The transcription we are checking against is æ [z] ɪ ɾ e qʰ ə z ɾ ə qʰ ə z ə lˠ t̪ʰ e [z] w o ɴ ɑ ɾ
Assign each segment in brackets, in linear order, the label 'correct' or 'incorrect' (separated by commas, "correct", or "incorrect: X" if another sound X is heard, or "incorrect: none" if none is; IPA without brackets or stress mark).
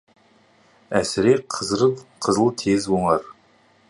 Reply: incorrect: s, correct